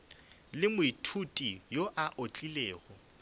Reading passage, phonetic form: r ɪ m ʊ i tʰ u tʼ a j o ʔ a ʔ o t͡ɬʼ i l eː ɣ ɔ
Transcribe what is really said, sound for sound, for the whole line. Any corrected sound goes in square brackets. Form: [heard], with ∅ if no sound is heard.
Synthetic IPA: [l] ɪ m ʊ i tʰ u tʼ [i] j o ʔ a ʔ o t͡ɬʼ i l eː ɣ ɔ